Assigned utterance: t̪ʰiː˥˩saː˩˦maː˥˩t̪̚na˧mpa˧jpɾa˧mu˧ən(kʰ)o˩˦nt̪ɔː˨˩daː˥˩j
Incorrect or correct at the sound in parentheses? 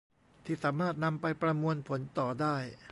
incorrect: pʰ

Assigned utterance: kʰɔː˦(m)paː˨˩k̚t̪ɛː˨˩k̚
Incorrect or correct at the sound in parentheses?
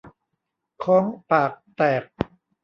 incorrect: ŋ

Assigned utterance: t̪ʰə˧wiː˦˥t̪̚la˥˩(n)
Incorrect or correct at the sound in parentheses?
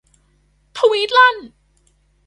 correct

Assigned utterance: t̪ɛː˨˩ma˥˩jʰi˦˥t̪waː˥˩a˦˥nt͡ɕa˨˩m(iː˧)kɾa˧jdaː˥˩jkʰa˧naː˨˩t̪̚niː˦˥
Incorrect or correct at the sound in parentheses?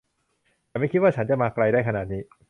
incorrect: aː˧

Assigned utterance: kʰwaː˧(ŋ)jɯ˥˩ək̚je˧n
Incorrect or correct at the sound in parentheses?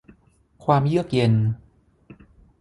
incorrect: m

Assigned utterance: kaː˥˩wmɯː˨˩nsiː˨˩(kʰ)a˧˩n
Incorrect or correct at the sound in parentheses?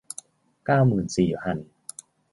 incorrect: pʰ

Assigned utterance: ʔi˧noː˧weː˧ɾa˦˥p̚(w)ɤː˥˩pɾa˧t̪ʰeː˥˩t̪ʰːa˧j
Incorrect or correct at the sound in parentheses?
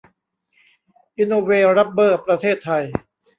incorrect: b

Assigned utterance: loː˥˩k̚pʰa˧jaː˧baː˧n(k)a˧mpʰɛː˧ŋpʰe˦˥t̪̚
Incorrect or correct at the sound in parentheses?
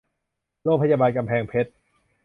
correct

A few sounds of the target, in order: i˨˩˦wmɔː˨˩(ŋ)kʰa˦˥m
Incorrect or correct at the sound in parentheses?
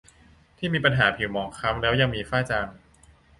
correct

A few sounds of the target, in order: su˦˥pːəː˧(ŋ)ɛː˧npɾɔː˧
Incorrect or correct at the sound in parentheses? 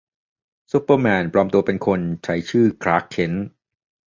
incorrect: m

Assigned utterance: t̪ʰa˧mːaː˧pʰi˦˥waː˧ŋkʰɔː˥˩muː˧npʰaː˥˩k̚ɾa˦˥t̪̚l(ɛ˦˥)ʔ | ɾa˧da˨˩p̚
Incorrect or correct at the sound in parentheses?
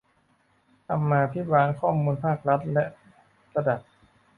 correct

